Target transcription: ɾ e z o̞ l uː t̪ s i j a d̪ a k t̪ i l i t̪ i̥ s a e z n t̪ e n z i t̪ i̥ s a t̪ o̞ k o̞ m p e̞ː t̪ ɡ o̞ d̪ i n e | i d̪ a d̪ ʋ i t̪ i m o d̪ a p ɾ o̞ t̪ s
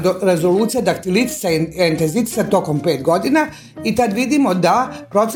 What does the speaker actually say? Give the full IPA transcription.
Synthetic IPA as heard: ɾ e z o̞ l uː t̪ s i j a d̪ a k t̪ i l i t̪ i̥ s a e n t̪ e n z i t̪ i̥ s a t̪ o̞ k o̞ m p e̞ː t̪ ɡ o̞ d̪ i n a | i t̪ a d̪ ʋ i d̪ i m o d̪ a p ɾ o̞ t̪ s